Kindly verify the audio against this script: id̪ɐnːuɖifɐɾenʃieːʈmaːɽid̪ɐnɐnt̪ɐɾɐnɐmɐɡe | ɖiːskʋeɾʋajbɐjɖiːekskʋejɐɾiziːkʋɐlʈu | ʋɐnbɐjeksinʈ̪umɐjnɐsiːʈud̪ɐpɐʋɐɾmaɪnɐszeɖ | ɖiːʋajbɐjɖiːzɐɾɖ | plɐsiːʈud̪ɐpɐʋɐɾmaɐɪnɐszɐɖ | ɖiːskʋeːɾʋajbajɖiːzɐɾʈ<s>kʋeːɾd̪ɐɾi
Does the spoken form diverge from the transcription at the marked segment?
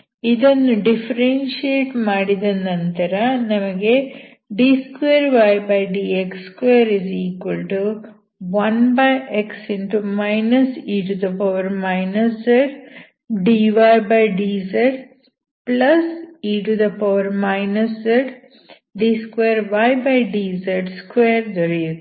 no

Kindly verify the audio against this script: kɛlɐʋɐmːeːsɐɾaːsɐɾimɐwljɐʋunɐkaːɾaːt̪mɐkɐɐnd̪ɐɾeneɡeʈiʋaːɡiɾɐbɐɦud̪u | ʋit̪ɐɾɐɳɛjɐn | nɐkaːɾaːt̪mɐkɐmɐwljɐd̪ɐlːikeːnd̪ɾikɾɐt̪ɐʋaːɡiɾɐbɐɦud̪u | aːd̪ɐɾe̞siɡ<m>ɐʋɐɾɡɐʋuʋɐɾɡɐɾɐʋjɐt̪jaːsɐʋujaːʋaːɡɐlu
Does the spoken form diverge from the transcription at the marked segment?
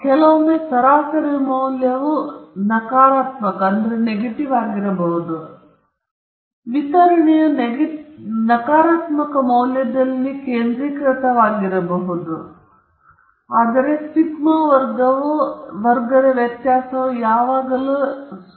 no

